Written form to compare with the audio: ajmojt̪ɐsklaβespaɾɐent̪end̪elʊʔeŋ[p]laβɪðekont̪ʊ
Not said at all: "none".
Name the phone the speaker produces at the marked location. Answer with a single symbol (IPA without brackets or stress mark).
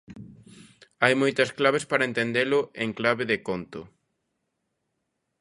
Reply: k